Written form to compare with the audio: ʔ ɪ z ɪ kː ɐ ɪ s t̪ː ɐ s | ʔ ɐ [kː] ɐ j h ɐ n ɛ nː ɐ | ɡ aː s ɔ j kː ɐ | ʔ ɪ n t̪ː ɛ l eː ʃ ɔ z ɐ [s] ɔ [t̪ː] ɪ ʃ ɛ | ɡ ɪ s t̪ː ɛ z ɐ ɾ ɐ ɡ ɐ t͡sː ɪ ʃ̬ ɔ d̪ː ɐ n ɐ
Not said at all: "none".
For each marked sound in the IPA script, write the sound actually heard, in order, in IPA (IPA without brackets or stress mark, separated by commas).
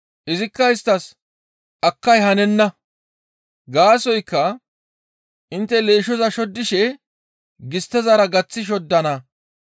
kː, ʃ, d̪ː